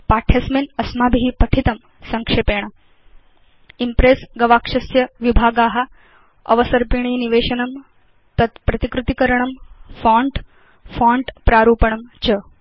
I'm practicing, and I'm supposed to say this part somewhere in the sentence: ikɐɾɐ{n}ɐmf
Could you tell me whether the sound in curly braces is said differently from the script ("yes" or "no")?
yes